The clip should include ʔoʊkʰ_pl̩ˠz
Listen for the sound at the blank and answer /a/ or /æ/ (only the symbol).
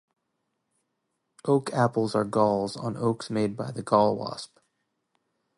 æ